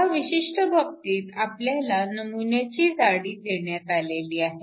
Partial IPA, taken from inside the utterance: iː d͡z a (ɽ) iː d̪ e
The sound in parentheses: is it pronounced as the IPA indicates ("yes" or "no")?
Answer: yes